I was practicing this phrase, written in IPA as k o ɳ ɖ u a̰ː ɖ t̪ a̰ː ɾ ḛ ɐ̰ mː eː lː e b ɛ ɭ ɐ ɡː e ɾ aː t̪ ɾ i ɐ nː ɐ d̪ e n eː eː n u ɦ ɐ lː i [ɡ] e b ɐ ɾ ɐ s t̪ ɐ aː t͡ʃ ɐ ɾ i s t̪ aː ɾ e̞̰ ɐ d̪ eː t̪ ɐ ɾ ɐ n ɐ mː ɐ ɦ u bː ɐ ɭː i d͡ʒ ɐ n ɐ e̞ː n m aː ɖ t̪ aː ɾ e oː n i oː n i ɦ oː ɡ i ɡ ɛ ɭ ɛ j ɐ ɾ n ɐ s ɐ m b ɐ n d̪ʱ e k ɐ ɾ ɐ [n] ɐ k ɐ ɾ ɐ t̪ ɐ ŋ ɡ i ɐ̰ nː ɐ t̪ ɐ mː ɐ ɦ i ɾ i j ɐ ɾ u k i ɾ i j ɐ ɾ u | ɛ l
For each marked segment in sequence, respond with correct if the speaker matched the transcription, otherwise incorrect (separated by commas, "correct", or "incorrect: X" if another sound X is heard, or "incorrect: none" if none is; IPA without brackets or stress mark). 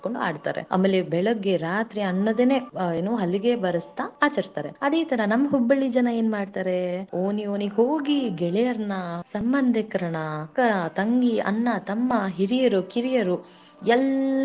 correct, incorrect: ɳ